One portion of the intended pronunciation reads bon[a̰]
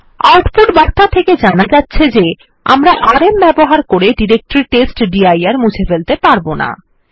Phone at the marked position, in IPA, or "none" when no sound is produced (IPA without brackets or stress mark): a̰